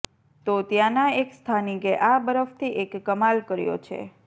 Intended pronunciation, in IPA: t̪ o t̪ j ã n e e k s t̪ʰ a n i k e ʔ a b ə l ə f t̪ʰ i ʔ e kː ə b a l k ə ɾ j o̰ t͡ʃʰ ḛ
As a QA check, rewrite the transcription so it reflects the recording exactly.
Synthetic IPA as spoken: t̪ o t̪ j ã n a e k s t̪ʰ a n i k e ʔ a b ə ɾ ə f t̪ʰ i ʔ e kː ə m a l k ə ɾ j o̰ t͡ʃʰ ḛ

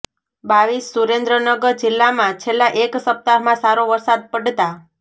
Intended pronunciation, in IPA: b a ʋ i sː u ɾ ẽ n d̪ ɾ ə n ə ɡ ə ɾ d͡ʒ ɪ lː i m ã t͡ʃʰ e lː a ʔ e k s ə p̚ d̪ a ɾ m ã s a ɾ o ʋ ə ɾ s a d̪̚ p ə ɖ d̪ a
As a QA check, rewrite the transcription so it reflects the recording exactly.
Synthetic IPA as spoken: b a ʋ i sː u ɾ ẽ n d̪ ɾ ə n ə ɡ ə ɾ d͡ʒ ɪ lː a m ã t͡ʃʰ e lː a ʔ e k s ə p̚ t̪ a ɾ m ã s a ɾ o ʋ ə ɾ s a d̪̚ p ə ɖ t̪ a

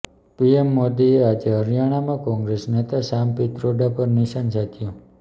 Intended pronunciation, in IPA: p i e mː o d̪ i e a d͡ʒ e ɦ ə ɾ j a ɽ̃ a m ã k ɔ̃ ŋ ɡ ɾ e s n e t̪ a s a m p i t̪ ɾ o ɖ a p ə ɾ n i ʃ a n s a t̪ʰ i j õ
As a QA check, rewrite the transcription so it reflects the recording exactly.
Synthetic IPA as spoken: p i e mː o d̪ i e a d͡ʒ e ɦ ə ɾ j a ɽ̃ a m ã k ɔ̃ ŋ ɡ ɾ e s n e t̪ a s a m p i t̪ ɾ o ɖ a p ə ɾ n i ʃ a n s a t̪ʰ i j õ

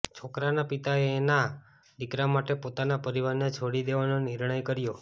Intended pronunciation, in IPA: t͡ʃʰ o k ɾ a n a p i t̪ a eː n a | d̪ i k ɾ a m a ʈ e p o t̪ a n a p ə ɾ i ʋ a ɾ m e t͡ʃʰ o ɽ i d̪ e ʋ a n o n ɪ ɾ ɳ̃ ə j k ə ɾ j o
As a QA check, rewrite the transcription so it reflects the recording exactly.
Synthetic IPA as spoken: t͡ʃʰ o k ɾ a n a p i t̪ a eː n a | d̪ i k ɾ a m a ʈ e p o t̪ a n a p ə ɾ i ʋ a ɾ n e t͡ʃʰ o ɽ i d̪ e ʋ a n o n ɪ ɾ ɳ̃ ə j k ə ɾ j o

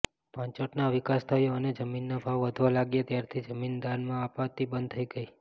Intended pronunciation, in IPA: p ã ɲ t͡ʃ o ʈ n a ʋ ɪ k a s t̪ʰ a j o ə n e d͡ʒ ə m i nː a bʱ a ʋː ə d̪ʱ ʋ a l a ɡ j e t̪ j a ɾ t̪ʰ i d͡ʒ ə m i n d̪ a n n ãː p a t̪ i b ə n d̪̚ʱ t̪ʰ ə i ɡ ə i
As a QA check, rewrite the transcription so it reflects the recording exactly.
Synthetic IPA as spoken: p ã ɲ t͡ʃ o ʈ n a ʋ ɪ k a s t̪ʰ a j o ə n e d͡ʒ ə m i nː a bʱ a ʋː ə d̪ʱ ʋ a l a ɡ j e t̪ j a ɾ t̪ʰ i d͡ʒ ə m i n d̪ a n m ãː p a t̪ i b ə n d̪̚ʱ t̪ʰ ə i ɡ ə i

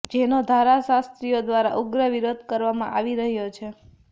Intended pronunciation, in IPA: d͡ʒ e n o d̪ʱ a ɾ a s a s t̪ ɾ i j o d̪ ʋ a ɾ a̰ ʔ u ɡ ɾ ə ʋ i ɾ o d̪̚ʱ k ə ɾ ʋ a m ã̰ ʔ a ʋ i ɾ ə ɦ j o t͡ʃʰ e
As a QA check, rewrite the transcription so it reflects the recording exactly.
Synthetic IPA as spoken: d͡ʒ e n o d̪ʱ a ɾ a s a s t̪ ɾ i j o d̪ ʋ a ɾ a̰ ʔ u ɡ ɾ ə ʋ i ɾ o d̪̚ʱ k ə ɾ ʋ a m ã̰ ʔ a ʋ i ɾ ə ɦ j o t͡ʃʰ e

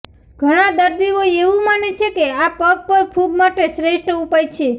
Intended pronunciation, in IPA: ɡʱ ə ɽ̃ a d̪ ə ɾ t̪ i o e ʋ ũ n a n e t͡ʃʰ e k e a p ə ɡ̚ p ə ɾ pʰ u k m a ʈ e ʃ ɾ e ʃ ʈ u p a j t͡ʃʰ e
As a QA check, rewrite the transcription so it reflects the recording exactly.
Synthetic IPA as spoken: ɡʱ ə ɽ̃ a d̪ ə ɾ d̪ i o e ʋ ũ m a n e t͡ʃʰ e k e a p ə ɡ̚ p ə ɾ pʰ u ɡ m a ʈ e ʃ ɾ e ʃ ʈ u p a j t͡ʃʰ e

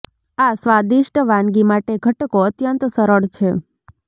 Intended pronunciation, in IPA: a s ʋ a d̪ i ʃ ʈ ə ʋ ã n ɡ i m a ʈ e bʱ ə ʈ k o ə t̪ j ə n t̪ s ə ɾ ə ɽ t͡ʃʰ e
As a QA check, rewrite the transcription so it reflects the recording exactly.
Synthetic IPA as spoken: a s ʋ a d̪ i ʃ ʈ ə ʋ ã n ɡ i m a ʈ e ɡʱ ə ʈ k o ə t̪ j ə n t̪ s ə ɾ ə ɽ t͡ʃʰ e

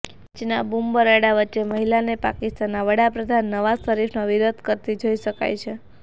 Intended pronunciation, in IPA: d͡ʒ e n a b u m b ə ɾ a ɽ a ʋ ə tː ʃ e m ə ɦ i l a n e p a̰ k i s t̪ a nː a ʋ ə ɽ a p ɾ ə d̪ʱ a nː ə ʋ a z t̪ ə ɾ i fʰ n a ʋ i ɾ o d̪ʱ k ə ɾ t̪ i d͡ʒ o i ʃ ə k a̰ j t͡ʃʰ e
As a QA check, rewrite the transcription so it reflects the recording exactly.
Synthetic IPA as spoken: d͡ʒ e n a b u m b ə ɾ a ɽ a ʋ ə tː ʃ e m ə ɦ i l a n e p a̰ k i s t̪ a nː a ʋ ə ɽ a p ɾ ə d̪ʱ a nː ə ʋ a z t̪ ə ɾ i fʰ n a ʋ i ɾ o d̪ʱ k ə ɾ t̪ i d͡ʒ o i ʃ ə k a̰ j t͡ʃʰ e

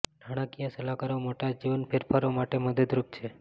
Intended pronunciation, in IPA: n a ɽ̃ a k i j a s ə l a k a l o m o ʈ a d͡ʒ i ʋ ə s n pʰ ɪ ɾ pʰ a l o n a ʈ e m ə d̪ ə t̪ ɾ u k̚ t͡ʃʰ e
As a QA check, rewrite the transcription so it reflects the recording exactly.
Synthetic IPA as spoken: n a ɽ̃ a k i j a s ə l a k a ɾ o m o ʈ a d͡ʒ i ʋ ə n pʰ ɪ ɾ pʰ a ɾ o m a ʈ e m ə d̪ ə d̪ ɾ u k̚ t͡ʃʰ e

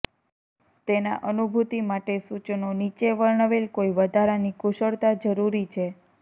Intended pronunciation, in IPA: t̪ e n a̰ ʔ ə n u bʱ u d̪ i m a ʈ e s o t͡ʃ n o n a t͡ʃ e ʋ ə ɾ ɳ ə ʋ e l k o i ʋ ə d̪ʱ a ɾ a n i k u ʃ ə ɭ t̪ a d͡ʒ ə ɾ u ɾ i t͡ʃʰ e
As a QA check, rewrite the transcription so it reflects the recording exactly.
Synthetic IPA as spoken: t̪ e n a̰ ʔ ə n u bʱ u t̪ i m a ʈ e s u t͡ʃ n o n i t͡ʃ e ʋ ə ɭ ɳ ə ʋ e l k o i ʋ ə d̪ʱ a ɾ a n i k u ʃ ə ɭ t̪ a d͡ʒ ə ɾ u ɾ i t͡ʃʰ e

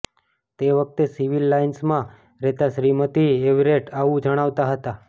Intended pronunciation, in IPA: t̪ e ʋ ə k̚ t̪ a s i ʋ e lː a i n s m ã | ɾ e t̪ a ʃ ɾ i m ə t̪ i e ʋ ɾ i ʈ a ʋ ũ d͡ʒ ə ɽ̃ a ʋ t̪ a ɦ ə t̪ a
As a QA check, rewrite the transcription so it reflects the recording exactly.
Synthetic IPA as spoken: t̪ e ʋ ə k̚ t̪ e s i ʋ i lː a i n s m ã | ɾ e t̪ a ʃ ɾ i m ə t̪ i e ʋ ɾ e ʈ a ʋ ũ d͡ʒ ə ɽ̃ a ʋ t̪ a ɦ ə t̪ a

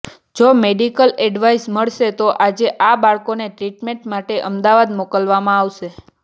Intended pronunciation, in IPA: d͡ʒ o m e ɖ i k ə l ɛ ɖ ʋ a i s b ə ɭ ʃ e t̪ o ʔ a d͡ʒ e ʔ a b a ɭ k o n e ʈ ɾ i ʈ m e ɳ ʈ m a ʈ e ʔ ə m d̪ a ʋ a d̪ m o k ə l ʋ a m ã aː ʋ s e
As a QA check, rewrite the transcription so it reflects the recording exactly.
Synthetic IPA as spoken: d͡ʒ o m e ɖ i k ə l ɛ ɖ ʋ a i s m ə ɭ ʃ e t̪ o ʔ a d͡ʒ e ʔ a b a ɭ k o n e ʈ ɾ i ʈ m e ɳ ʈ m a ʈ e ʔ ə m d̪ a ʋ a d̪ m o k ə l ʋ a m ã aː ʋ ʃ e

